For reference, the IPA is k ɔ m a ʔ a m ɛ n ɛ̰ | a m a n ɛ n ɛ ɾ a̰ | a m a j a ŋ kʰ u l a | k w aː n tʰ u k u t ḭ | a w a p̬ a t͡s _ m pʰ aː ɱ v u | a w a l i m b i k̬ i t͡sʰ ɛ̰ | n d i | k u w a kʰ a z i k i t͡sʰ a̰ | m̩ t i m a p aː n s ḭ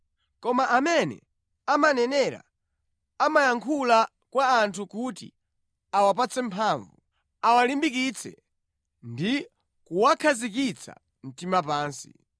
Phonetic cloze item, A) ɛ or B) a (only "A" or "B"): A